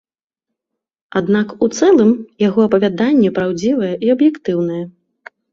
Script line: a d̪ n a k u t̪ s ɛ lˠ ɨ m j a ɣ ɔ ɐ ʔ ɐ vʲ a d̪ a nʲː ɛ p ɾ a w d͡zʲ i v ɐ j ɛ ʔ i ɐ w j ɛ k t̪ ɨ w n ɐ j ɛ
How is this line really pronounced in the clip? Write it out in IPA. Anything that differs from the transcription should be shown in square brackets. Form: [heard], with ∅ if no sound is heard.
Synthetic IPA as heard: a d̪ n a k u t̪ s ɛ lˠ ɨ m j a ɣ ɔ ɐ [p] ɐ vʲ a d̪ a nʲː ɛ p ɾ a w d͡zʲ i v ɐ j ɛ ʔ i ɐ [b] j ɛ k t̪ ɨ w n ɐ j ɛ